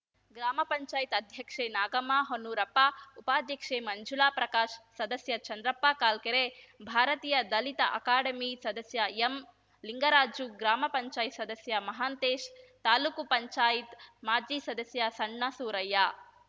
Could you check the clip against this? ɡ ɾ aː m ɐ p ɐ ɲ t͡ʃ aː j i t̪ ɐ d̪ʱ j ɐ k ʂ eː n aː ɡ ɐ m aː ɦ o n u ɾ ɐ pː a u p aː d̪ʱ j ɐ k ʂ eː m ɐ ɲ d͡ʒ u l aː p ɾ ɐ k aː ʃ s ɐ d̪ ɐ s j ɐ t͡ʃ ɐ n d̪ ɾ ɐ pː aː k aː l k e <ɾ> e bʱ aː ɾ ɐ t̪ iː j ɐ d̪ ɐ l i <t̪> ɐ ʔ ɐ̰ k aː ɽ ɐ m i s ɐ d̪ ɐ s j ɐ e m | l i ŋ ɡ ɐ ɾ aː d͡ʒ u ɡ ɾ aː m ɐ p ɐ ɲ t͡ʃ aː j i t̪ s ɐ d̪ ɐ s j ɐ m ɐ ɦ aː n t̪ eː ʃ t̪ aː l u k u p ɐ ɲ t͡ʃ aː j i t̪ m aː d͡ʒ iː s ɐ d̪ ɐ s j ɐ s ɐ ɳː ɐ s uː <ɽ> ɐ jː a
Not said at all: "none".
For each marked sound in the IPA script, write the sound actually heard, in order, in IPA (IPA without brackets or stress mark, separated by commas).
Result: ɾ, t̪, ɾ